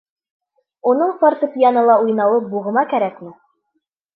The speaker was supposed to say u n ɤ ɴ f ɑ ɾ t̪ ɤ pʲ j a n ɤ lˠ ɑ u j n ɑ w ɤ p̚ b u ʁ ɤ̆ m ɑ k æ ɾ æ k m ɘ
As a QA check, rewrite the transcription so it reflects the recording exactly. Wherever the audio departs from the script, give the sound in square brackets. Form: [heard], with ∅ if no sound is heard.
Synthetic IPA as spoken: u n ɤ ɴ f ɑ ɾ t̪ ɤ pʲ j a n ɤ lˠ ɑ u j n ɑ w ɤ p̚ b u ʁ ɤ̆ m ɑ k æ ɾ æ k m ɘ

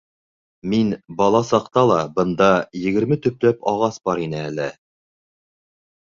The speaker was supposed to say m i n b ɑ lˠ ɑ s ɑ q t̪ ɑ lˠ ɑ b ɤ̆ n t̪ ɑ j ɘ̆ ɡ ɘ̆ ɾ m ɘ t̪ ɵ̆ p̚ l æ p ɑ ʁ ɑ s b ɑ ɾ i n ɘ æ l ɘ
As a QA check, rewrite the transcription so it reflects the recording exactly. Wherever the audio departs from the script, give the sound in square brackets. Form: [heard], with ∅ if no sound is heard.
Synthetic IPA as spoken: m i n b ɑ lˠ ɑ s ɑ q t̪ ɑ lˠ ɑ b ɤ̆ n [d̪] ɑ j ɘ̆ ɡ ɘ̆ ɾ m ɘ t̪ ɵ̆ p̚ l æ p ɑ ʁ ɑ s b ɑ ɾ i n ɘ æ l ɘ

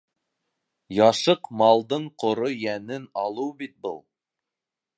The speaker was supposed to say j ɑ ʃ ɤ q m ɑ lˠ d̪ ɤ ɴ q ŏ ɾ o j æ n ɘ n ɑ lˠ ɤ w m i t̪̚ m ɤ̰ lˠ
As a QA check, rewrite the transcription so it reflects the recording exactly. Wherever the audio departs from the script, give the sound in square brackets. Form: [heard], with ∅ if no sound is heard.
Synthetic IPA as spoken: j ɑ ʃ ɤ q m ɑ lˠ d̪ ɤ ɴ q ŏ ɾ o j æ n ɘ n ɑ lˠ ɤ w [b] i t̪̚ [b] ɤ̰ lˠ

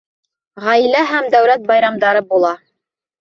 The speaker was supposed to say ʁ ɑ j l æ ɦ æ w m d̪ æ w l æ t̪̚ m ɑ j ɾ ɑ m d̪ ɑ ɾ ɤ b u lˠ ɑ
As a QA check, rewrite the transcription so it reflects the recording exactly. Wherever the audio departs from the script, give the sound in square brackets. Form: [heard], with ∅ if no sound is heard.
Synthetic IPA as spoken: ʁ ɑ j l æ ɦ æ [∅] m d̪ æ w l æ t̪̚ [b] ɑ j ɾ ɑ m d̪ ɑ ɾ ɤ b u lˠ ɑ

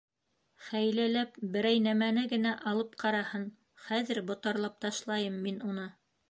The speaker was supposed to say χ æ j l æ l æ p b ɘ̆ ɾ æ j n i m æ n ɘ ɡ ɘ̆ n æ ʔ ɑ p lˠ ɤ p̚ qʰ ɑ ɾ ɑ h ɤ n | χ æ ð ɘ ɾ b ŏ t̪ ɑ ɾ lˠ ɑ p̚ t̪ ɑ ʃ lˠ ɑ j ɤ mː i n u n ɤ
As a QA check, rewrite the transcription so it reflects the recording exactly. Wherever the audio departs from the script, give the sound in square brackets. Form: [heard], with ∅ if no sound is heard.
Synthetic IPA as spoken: χ æ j l æ l æ p b ɘ̆ ɾ æ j n [æ] m æ n ɘ ɡ ɘ̆ n æ ʔ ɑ [∅] lˠ ɤ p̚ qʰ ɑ ɾ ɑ h ɤ n | χ æ ð ɘ ɾ b ŏ t̪ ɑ ɾ lˠ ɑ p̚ t̪ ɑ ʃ lˠ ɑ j ɤ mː i n u n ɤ

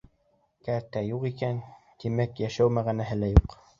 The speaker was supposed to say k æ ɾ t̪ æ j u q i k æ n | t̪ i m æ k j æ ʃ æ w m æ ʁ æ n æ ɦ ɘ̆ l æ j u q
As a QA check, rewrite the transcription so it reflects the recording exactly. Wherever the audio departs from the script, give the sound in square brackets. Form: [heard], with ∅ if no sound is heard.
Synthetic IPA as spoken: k æ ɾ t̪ æ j u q i k æ n | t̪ i m æ k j æ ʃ æ w m æ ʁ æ n æ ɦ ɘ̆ l æ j u q

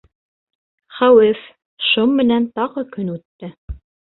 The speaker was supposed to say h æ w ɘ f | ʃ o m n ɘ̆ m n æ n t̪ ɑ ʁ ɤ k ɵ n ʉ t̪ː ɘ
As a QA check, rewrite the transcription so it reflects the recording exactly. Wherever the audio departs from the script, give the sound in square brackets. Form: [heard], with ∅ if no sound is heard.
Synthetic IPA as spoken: [χ] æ w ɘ f | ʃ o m [m] ɘ̆ [∅] n æ n t̪ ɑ ʁ ɤ k ɵ n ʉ t̪ː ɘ

